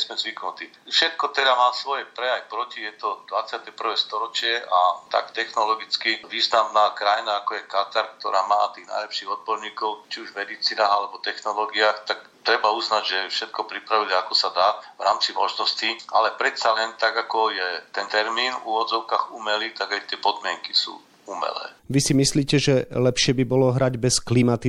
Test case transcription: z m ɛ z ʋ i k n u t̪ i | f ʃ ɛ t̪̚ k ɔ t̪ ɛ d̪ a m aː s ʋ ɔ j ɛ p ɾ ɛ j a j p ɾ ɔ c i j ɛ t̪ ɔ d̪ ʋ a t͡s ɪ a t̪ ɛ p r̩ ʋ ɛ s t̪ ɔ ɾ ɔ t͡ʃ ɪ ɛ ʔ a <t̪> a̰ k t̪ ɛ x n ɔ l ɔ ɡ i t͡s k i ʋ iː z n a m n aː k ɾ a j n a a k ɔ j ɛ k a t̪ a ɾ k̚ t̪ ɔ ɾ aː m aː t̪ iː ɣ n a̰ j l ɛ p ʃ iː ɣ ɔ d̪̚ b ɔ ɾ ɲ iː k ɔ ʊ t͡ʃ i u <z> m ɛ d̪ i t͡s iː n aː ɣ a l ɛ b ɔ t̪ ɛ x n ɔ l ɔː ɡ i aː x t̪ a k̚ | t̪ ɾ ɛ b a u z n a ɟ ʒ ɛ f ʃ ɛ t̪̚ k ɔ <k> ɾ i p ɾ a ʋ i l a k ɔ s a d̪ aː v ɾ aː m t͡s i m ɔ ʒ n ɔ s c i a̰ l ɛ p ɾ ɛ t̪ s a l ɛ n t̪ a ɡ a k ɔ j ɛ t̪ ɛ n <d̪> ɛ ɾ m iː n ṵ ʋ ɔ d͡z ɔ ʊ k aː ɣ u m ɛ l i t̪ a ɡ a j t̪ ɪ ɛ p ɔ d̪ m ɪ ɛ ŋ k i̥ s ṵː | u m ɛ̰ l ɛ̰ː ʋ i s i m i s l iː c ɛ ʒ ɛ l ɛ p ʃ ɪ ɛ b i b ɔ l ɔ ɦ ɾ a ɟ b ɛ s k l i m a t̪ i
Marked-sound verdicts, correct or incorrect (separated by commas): correct, incorrect, incorrect, incorrect